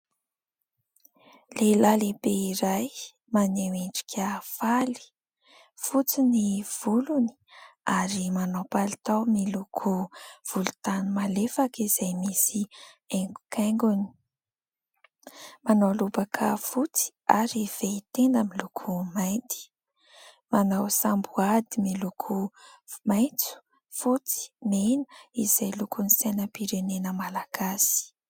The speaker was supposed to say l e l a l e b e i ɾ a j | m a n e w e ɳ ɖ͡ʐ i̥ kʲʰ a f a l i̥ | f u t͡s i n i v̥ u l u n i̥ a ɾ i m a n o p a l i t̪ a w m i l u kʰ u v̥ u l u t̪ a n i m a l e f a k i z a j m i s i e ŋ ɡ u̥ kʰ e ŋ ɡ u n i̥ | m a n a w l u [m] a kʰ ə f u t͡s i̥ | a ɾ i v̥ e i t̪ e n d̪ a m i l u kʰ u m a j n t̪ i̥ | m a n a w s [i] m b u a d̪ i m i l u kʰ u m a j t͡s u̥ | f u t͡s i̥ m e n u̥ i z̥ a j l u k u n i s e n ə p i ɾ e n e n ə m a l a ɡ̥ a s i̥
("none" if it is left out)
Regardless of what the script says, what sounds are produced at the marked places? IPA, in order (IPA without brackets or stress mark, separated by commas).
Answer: b, a